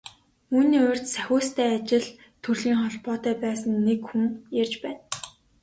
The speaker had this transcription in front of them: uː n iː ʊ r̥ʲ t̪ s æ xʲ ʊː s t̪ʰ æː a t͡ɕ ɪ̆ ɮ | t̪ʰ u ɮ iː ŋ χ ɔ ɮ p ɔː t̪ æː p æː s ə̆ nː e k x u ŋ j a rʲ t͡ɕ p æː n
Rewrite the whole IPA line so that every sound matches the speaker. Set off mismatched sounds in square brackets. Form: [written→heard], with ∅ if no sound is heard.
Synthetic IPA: uː n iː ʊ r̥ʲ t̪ s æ xʲ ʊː s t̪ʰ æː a t͡ɕ ɪ̆ ɮ | t̪ʰ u ɮ iː ŋ χ ɔ ɮ p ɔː t̪ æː p æː s ə̆ nː e k x u ŋ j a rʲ t͡ɕ p æː n